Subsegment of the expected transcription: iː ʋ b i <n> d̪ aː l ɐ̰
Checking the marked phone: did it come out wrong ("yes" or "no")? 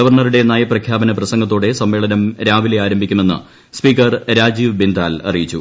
no